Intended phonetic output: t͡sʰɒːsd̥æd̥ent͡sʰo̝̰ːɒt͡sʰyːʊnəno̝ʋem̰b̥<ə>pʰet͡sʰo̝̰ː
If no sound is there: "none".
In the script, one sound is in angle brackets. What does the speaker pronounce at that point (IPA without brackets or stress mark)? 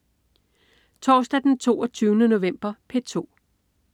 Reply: ɐ